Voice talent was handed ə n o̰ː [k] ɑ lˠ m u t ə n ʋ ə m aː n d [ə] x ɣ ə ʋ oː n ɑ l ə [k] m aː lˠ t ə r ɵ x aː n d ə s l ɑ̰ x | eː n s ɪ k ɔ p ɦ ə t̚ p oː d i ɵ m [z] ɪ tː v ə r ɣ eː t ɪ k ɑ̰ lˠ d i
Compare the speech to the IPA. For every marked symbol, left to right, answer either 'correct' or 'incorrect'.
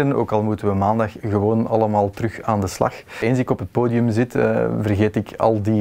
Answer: correct, incorrect: ɑ, incorrect: none, correct

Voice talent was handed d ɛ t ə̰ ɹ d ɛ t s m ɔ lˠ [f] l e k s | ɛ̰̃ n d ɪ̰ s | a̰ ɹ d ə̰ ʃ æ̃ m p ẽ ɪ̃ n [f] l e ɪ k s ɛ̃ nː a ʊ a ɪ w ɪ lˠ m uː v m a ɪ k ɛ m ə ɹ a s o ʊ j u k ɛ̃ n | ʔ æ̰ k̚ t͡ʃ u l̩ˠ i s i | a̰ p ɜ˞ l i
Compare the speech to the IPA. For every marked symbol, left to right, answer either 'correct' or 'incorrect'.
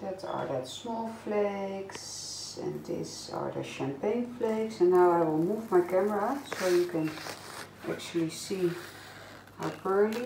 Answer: correct, correct

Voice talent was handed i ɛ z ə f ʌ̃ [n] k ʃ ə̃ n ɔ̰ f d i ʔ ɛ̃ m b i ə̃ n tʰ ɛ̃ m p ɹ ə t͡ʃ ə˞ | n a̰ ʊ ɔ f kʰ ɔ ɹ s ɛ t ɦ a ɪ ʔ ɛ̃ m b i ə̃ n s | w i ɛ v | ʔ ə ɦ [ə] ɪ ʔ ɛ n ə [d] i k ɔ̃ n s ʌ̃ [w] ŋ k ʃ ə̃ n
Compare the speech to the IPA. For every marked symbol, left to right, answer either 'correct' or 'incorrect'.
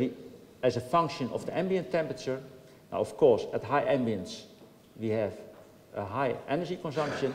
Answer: incorrect: ŋ, incorrect: a, incorrect: d͡ʒ, incorrect: none

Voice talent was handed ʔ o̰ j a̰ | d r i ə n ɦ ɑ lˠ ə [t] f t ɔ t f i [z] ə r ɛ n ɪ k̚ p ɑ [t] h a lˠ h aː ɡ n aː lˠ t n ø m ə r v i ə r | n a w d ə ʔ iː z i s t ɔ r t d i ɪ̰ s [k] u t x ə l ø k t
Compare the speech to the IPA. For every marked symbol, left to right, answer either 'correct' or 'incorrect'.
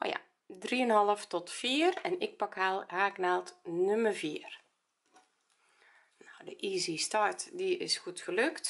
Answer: incorrect: none, incorrect: none, incorrect: k, incorrect: x

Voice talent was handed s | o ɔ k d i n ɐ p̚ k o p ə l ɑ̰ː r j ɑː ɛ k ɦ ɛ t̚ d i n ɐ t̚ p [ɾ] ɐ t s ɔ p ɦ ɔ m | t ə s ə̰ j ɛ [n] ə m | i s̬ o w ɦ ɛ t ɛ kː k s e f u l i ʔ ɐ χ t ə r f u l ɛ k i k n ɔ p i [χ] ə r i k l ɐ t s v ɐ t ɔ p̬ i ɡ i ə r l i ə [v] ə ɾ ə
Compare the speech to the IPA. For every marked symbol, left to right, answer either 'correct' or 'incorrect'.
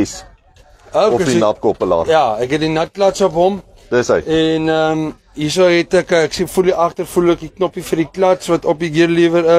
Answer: incorrect: l, correct, incorrect: f, correct

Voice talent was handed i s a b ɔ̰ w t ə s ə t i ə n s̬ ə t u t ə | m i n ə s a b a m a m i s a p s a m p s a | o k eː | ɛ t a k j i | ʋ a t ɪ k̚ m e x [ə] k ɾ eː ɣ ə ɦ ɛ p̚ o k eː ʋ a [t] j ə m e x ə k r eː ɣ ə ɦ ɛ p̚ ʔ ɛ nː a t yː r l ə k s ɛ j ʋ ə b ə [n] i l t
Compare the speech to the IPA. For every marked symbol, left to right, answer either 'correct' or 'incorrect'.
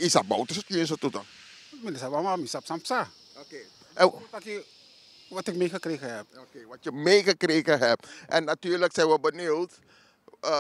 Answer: correct, correct, correct

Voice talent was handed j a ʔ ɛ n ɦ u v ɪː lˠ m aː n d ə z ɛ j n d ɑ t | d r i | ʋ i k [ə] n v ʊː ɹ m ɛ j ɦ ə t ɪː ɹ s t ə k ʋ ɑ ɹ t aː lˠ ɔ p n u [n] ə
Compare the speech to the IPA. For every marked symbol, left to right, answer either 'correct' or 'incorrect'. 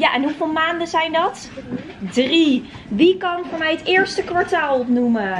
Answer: incorrect: ɑ, incorrect: m

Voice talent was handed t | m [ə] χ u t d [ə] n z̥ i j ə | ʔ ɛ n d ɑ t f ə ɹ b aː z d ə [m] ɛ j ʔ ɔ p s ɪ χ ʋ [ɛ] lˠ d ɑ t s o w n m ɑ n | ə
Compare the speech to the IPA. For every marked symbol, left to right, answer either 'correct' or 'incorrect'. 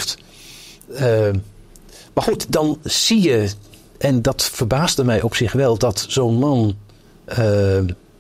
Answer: incorrect: a, incorrect: ɑ, correct, correct

